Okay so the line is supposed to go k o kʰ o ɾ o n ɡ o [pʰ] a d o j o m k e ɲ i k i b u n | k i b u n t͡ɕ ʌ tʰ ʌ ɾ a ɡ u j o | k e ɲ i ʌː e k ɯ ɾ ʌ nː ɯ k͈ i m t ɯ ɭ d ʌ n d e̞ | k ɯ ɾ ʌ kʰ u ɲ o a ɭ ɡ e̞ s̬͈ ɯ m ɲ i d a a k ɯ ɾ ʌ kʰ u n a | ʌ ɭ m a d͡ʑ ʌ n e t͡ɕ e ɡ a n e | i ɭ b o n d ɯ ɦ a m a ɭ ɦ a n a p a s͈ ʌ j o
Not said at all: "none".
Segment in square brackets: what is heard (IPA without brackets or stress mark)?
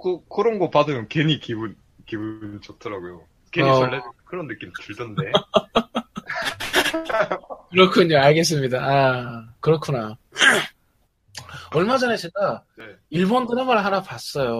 p